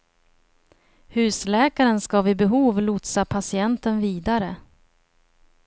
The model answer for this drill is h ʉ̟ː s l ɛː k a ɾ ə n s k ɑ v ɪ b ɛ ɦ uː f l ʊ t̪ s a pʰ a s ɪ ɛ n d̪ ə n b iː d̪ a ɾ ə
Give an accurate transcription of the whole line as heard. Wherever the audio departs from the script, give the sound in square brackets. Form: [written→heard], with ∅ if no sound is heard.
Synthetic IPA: h ʉ̟ː s l ɛː k a ɾ ə n s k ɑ v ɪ b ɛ ɦ uː [f→v] l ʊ t̪ s a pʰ a s ɪ ɛ n [d̪→t̪] ə n [b→v] iː d̪ a ɾ ə